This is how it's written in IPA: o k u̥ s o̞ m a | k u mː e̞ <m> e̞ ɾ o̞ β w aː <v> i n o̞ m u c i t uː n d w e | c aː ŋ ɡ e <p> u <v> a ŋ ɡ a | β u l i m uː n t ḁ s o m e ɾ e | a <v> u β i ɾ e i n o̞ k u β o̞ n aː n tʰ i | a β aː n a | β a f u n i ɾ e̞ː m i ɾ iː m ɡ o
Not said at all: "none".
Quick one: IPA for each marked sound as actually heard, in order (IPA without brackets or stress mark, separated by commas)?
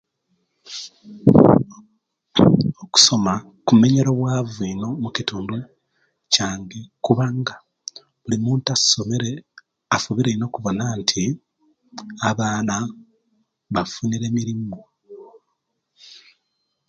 ɲ, v, k, β, f